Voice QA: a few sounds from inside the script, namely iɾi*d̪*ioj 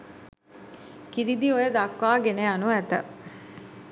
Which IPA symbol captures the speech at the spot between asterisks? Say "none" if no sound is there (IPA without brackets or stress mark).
d̪